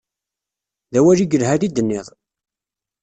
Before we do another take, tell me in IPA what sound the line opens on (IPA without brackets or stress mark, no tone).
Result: ð